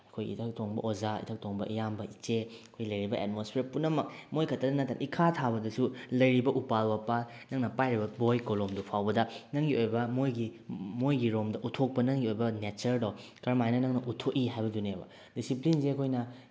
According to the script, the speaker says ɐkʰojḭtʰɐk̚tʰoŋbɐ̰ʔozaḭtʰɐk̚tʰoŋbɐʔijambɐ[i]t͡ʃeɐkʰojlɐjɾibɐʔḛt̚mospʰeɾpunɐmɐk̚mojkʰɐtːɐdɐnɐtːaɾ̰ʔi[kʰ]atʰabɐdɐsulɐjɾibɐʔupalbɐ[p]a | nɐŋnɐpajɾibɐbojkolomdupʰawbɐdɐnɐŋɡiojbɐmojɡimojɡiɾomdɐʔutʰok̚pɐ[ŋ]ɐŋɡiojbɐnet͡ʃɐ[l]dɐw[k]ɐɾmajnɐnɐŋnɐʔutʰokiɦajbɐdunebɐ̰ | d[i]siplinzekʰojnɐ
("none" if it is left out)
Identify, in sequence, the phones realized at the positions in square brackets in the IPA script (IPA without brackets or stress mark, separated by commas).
i, kʰ, p, n, ɾ, k, i